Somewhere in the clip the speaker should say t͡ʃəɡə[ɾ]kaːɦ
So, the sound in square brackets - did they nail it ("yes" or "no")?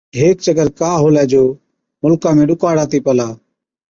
yes